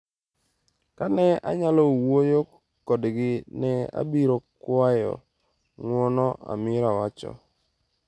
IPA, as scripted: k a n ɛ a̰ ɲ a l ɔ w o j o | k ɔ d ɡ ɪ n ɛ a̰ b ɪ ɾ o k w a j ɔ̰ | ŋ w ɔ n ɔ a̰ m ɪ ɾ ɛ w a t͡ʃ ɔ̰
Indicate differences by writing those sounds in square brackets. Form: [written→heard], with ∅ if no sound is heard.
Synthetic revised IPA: k a n ɛ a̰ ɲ a l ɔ w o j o | k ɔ d ɡ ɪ n ɛ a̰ b [ɪ→i] ɾ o k w a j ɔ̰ | ŋ w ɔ n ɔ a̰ m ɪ ɾ [ɛ→a] w a t͡ʃ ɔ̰